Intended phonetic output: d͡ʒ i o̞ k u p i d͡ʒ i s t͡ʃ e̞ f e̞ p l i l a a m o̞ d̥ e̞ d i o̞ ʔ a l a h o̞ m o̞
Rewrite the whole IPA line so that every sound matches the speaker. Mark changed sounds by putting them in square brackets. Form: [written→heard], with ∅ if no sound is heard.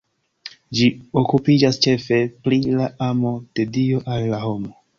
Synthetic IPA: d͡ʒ i o̞ k u p i d͡ʒ [i→a] s t͡ʃ e̞ f e̞ p l i l a a m o̞ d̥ e̞ d i o̞ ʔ a [l→lː] a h o̞ m o̞